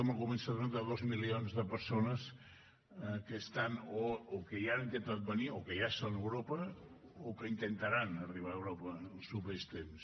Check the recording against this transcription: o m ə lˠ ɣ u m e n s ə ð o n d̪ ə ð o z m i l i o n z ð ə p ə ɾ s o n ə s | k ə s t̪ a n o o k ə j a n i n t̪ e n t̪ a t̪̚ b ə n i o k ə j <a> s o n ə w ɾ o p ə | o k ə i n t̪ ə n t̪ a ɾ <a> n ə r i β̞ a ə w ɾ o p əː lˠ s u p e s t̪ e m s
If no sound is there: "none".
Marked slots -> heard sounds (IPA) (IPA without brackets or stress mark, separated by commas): a, a